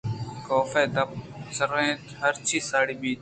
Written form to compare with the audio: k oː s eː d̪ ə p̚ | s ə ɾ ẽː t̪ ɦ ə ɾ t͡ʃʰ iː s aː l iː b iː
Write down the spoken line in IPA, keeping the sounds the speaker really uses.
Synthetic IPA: k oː f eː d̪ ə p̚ | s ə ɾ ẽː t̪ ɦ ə ɾ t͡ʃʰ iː s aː ɽ iː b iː